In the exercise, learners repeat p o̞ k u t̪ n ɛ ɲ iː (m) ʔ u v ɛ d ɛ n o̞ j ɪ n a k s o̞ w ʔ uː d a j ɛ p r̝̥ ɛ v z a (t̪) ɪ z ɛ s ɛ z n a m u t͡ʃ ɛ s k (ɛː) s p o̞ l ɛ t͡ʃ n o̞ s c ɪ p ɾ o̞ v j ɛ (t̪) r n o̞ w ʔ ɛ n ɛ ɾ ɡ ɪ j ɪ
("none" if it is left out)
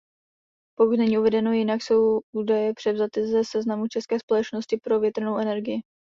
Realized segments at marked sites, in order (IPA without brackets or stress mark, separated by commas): none, t̪, ɛː, t̪